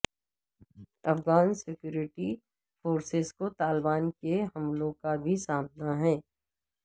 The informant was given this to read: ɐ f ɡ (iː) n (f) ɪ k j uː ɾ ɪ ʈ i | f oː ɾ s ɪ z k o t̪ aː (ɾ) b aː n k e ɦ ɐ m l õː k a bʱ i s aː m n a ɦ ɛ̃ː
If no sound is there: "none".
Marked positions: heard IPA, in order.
aː, s, l

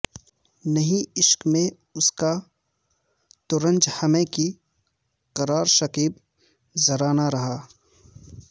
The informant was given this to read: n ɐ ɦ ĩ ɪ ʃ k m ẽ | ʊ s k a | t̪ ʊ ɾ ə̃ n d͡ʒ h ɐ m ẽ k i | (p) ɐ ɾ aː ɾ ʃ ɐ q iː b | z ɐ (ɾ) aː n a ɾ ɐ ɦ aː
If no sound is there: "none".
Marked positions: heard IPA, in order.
q, ɾ

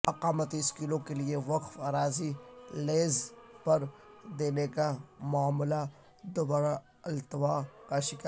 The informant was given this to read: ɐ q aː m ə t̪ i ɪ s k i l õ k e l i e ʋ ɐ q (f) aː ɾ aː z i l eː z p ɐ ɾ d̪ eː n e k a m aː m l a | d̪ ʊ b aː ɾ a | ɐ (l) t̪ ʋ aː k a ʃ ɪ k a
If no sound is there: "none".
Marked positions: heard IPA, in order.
f, l

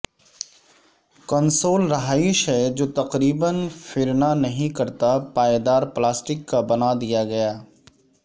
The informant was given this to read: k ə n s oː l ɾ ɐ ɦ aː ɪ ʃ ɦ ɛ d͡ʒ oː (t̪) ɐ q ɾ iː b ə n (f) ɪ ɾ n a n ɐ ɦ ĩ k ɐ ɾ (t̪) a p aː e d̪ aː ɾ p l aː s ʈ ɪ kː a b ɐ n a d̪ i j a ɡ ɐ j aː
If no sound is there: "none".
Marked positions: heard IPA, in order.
t̪, f, t̪

